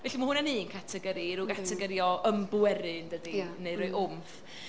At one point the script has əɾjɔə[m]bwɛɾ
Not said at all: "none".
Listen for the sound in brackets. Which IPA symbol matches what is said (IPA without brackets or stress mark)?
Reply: m